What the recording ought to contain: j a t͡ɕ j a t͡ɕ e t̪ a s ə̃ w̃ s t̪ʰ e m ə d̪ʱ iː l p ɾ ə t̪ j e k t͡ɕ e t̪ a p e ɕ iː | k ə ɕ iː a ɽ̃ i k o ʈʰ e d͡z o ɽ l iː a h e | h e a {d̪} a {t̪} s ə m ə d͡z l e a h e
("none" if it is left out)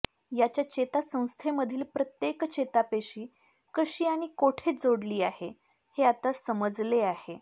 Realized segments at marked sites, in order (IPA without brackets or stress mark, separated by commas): t̪, none